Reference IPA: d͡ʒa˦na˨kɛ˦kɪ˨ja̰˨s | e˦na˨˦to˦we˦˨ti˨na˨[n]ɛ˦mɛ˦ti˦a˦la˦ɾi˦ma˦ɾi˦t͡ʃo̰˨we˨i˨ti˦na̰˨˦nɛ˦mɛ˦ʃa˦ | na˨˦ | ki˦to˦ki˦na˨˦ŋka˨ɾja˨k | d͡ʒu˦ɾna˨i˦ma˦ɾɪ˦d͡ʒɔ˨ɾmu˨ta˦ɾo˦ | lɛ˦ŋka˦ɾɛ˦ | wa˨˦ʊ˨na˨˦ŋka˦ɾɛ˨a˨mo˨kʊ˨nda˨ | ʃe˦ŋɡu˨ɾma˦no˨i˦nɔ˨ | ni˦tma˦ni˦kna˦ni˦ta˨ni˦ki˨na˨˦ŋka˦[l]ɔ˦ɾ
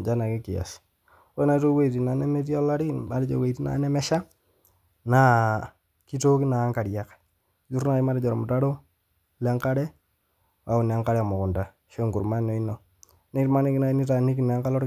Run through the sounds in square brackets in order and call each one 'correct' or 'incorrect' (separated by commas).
correct, correct